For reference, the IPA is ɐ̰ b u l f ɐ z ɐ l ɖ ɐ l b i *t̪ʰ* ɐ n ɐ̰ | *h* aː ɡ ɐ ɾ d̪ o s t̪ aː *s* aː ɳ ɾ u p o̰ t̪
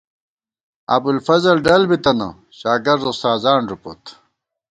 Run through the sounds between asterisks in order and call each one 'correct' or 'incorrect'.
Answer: incorrect, incorrect, incorrect

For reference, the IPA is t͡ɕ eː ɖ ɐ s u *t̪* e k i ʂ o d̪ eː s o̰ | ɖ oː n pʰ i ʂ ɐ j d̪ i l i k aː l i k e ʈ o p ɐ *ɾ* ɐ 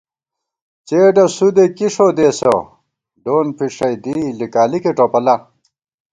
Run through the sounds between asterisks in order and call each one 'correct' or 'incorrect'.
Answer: incorrect, incorrect

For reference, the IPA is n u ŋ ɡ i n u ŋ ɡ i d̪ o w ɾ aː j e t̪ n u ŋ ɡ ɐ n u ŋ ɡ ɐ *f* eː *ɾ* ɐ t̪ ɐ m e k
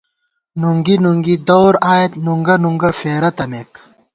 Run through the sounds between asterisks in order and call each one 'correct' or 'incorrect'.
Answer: correct, correct

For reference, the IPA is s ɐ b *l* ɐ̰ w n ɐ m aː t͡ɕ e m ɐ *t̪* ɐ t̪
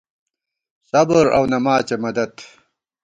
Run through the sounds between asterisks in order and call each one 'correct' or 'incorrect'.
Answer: incorrect, incorrect

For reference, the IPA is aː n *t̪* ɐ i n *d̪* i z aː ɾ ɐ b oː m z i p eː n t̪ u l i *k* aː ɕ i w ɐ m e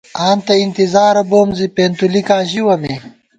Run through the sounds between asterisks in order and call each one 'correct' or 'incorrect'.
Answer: correct, incorrect, correct

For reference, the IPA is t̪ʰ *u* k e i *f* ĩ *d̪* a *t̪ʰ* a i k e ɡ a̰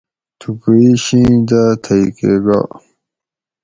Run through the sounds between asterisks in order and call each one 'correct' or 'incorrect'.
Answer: correct, incorrect, correct, correct

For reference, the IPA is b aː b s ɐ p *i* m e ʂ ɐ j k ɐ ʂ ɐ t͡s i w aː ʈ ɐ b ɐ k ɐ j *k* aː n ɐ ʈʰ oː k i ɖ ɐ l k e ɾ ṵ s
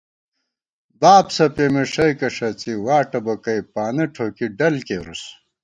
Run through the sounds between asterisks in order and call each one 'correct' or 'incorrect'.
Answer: incorrect, incorrect

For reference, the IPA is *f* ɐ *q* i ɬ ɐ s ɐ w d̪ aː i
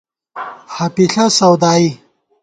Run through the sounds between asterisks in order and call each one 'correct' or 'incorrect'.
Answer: incorrect, incorrect

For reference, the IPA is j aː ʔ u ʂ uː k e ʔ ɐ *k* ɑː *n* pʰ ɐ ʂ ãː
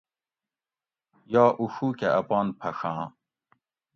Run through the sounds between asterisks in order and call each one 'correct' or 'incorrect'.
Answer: incorrect, correct

